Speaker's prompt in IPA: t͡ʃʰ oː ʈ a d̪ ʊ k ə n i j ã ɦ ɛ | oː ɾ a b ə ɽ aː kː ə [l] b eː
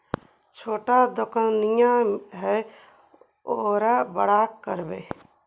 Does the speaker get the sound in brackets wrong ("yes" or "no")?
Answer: yes